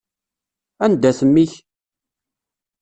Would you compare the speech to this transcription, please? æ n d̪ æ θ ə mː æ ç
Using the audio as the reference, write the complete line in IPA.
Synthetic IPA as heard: æ n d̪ æ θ ə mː i ç